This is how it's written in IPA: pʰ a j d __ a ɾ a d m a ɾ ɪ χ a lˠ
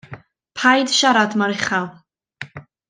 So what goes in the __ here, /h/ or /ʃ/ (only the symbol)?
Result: ʃ